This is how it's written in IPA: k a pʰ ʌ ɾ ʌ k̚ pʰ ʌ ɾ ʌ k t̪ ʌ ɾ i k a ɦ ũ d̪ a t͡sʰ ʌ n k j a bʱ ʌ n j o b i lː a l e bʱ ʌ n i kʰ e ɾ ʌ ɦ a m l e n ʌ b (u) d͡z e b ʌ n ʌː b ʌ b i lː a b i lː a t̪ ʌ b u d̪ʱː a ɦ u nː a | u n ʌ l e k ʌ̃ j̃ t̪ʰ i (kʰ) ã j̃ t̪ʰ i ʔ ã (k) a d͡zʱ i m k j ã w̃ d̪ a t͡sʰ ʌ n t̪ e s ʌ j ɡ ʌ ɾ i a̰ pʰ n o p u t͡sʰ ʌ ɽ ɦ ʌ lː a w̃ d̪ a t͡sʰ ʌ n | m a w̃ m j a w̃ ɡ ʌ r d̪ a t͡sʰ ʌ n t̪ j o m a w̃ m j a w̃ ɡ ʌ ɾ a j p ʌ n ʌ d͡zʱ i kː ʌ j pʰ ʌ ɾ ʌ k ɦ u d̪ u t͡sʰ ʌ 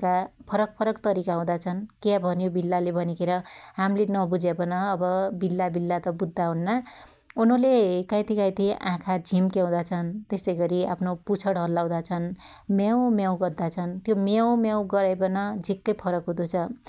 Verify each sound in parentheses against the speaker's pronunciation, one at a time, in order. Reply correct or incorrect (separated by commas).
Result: correct, incorrect, incorrect